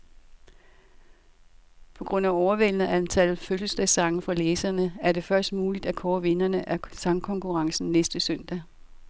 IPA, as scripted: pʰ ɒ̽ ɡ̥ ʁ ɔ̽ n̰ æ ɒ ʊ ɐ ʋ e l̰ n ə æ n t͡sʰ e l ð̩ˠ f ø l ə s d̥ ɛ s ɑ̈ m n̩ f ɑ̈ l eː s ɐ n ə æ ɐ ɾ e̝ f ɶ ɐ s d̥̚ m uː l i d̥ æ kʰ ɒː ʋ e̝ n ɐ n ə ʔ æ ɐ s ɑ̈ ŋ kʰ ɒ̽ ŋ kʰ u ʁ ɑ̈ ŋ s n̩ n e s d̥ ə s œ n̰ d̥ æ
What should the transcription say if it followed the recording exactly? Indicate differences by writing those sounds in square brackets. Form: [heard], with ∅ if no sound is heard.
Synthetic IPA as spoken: pʰ ɒ̽ ɡ̥ ʁ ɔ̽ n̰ æ ɒ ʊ ɐ ʋ e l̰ n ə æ n t͡sʰ [æ] l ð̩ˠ f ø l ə s d̥ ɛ s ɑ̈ [ŋ] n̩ f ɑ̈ l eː s ɐ n ə æ ɐ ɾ e̝ f ɶ ɐ s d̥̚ m uː l i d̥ æ kʰ ɒː ʋ e̝ n ɐ n ə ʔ æ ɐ s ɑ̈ ŋ kʰ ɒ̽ ŋ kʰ u ʁ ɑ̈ ŋ s n̩ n e s d̥ ə s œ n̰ d̥ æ